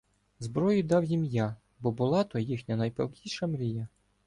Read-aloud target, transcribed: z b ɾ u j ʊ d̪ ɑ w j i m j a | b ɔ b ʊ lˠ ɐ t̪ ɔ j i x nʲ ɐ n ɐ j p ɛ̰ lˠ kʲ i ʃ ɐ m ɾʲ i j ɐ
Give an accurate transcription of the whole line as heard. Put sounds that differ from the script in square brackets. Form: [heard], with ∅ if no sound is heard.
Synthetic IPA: z b ɾ [ɔ] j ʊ d̪ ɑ w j i m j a | b ɔ b ʊ lˠ [ɑ] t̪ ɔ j i x nʲ ɐ n ɐ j p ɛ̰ lˠ kʲ i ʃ ɐ m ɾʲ i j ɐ